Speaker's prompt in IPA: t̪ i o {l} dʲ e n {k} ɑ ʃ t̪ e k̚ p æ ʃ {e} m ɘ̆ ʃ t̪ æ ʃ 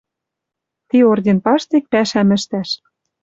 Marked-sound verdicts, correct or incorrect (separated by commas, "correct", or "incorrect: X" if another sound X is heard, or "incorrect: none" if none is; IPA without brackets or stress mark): incorrect: r, incorrect: p, incorrect: æ